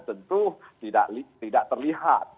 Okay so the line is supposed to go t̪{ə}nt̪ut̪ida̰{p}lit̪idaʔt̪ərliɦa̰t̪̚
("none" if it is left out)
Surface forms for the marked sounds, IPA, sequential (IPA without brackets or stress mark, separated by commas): ə, ʔ